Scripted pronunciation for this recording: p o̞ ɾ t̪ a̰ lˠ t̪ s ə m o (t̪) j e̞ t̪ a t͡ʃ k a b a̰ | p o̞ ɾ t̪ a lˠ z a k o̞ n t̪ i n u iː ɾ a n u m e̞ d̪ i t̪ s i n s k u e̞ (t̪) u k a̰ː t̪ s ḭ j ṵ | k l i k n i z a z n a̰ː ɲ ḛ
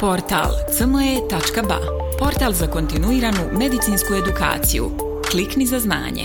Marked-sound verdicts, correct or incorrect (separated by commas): incorrect, incorrect